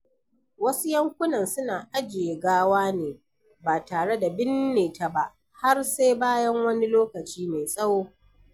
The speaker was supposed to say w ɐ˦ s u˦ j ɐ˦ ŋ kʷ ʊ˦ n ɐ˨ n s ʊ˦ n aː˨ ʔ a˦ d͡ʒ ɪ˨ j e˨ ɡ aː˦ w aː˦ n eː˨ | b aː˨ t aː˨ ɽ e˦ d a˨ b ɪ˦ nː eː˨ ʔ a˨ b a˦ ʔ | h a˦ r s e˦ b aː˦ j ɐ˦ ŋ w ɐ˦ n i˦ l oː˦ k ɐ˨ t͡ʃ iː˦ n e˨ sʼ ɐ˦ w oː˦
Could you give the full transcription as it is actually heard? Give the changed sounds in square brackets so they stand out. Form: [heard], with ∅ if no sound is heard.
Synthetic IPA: w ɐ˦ s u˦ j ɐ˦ ŋ kʷ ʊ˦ n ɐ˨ n s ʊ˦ n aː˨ ʔ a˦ d͡ʒ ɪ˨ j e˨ ɡ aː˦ w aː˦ n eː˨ | b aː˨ t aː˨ ɽ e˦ d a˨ b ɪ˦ nː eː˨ [t] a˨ b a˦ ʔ | h a˦ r s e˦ b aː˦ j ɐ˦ ŋ w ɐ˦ n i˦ l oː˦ k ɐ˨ t͡ʃ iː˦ [m] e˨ sʼ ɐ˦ w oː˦